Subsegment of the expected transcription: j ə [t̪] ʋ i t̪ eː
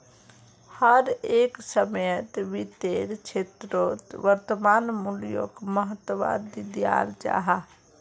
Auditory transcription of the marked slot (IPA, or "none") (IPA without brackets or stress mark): t̪